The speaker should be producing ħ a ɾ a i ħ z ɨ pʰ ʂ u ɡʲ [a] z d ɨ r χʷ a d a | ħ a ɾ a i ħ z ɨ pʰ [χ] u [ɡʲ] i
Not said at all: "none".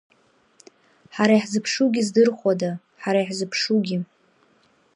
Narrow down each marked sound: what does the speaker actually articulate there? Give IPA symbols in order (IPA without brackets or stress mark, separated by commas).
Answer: i, ʂ, ɡʲ